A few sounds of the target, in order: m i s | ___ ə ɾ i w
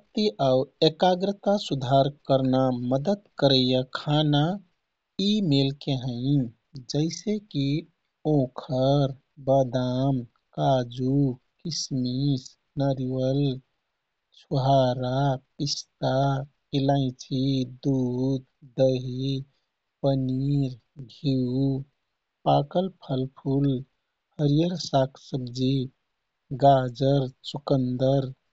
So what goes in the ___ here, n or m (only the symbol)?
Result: n